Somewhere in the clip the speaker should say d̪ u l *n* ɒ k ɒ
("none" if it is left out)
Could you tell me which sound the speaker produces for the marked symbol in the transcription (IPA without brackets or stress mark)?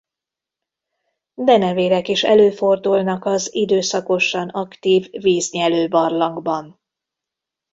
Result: n